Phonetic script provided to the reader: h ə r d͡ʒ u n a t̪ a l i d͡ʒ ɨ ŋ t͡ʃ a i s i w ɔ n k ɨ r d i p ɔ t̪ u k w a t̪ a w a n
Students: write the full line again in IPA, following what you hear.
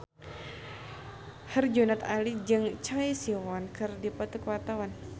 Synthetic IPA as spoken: h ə r d͡ʒ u n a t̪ a l i d͡ʒ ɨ ŋ t͡ʃ a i s i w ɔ n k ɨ r d i p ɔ t̪ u k w a t̪ a w a n